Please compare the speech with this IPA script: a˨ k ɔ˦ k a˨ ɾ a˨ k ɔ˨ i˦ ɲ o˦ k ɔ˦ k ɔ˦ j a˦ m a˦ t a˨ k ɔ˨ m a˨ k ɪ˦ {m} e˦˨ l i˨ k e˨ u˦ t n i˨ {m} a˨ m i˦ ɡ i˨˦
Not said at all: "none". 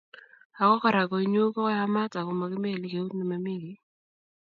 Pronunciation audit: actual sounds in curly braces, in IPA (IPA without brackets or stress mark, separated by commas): m, m